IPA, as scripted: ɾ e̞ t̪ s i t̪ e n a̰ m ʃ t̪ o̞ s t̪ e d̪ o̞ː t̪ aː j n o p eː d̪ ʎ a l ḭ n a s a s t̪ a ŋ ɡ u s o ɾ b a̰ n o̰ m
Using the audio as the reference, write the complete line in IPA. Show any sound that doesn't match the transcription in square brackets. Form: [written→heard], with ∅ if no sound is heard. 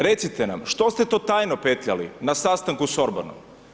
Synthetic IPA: ɾ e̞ t̪ s i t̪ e n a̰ m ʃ t̪ o̞ s t̪ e [d̪→t̪] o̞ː t̪ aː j n o p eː [d̪→t̪] ʎ a l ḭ n a s a s t̪ a ŋ [ɡ→k] u s o ɾ b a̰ n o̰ m